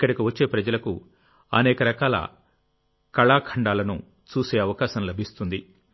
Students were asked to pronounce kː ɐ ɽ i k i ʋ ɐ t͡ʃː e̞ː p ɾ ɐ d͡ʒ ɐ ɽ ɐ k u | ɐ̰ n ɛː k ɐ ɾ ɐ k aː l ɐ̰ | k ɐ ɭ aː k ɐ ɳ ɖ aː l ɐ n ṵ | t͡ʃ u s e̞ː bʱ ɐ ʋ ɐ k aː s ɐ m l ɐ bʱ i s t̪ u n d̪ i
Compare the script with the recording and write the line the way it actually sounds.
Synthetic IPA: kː ɐ ɽ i k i ʋ ɐ t͡ʃː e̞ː p ɾ ɐ d͡ʒ ɐ l ɐ k u | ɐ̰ n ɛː k ɐ ɾ ɐ k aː l ɐ̰ | k ɐ ɭ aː kʰ ɐ ɳ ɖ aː l ɐ n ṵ | t͡ʃ uː s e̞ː ɐ ʋ ɐ k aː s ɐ m l ɐ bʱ i s t̪ u n d̪ i